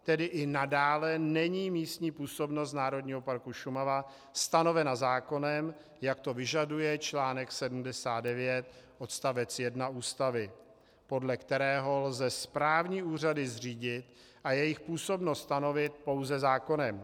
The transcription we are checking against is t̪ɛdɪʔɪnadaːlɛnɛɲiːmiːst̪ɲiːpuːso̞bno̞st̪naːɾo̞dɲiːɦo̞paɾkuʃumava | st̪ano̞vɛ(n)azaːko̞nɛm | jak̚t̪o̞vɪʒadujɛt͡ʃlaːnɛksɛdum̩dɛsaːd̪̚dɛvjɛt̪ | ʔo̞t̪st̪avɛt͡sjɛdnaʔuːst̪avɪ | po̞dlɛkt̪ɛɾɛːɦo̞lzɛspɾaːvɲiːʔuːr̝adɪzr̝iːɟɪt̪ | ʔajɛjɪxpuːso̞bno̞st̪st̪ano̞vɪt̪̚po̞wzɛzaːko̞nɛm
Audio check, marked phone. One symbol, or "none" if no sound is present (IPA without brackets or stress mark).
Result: n